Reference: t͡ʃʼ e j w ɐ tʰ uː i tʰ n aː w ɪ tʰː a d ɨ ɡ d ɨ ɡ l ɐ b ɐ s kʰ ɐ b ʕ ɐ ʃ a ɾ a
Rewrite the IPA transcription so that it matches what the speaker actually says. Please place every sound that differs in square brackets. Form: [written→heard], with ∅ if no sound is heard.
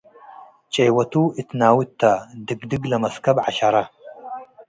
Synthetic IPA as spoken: t͡ʃʼ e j w ɐ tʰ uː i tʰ n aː w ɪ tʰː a d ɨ ɡ d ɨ ɡ l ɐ [b→m] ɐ s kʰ ɐ b ʕ [ɐ→a] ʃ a ɾ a